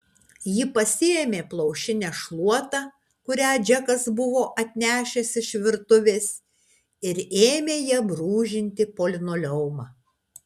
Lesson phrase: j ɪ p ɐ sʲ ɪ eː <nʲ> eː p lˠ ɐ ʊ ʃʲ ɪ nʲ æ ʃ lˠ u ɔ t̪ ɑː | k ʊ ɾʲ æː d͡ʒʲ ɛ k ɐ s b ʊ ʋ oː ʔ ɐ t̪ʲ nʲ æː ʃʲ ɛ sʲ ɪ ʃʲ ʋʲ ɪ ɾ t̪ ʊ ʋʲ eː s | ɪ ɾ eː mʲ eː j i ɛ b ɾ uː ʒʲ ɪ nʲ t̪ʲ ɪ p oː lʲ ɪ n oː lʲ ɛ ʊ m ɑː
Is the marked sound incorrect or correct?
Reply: incorrect